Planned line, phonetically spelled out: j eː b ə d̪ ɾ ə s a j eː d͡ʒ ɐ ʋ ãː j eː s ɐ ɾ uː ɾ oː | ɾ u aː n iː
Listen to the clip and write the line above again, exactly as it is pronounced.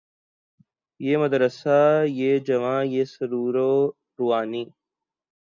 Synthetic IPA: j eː m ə d̪ ɾ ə s a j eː d͡ʒ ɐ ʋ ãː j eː s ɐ ɾ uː ɾ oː | ɾ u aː n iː

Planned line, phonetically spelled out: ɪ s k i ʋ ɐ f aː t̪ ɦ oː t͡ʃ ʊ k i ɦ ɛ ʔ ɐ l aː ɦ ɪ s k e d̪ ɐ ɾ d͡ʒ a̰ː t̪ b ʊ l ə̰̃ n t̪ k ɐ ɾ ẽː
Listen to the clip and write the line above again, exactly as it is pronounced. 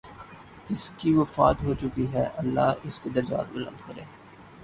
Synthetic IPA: ɪ s k i ʋ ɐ f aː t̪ ɦ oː t͡ʃ ʊ k i ɦ ɛ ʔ ɐ lː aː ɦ ɪ s k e d̪ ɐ ɾ d͡ʒ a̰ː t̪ b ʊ l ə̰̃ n d̪ k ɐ ɾ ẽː

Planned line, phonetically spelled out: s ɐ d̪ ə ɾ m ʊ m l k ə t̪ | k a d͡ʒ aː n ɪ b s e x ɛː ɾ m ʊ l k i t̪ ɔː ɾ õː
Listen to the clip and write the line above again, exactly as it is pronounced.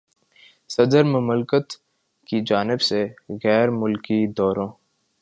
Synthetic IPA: s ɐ d̪ ə ɾ m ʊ m l k ə t̪ | k i d͡ʒ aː n ɪ b s e ɣ ɛː ɾ m ʊ l k i d̪ ɔː ɾ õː

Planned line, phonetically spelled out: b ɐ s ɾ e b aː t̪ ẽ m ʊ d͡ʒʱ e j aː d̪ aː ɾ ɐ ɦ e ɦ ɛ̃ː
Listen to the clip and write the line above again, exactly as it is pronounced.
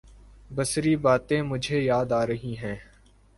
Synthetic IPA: b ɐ s ɾ i b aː t̪ ẽ m ʊ d͡ʒʱ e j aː d̪ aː ɾ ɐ ɦ i ɦ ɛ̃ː

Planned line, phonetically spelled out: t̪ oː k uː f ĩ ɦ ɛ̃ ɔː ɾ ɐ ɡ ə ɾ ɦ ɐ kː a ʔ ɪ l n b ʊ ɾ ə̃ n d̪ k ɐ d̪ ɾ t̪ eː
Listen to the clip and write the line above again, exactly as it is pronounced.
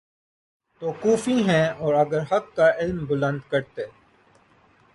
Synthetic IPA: t̪ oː k uː f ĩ ɦ ɛ̃ ɔː ɾ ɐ ɡ ə ɾ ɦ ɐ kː a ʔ ɪ l m b ʊ l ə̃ n d̪ k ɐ ɾ t̪ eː

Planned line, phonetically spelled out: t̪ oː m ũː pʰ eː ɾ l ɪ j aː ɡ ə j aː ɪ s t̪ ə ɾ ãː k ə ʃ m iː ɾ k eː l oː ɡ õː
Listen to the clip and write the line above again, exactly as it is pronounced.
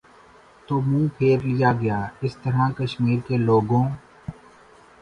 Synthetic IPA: t̪ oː m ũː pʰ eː ɾ l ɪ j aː ɡ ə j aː ɪ s t̪ ə ɾ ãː k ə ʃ m iː ɾ k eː l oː ɡ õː

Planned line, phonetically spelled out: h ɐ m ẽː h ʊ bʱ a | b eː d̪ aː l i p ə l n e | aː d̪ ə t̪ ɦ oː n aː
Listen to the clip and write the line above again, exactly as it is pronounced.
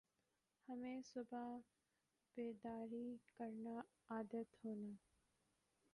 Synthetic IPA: h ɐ m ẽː s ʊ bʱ a | b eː d̪ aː ɾ i k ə ɾ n a | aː d̪ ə t̪ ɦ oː n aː

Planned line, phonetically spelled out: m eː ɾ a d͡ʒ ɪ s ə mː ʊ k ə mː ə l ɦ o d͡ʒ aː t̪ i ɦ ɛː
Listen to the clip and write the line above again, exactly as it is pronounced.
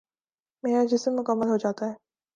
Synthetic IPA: m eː ɾ a d͡ʒ ɪ s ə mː ʊ k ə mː ə l ɦ o d͡ʒ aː t̪ a ɦ ɛː

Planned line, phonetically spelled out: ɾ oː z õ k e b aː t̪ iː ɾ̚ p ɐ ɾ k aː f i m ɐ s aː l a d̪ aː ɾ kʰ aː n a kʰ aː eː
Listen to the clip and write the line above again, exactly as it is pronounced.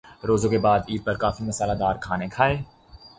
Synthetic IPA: ɾ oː z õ k e b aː d̪ iː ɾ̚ p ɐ ɾ k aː f i m ɐ s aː l a d̪ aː ɾ kʰ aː n e kʰ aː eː

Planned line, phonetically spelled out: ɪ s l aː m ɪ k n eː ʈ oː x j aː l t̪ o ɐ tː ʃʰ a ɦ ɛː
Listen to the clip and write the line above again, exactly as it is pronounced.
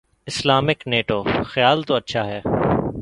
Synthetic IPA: ɪ s l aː m ɪ k n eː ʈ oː x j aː l t̪ o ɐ tː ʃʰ a ɦ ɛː

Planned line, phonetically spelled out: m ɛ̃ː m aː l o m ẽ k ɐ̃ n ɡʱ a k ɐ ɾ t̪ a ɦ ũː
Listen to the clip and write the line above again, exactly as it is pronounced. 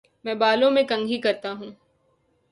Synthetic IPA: m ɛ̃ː b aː l õ m ẽ k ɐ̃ ŋ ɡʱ i k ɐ ɾ t̪ a ɦ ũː

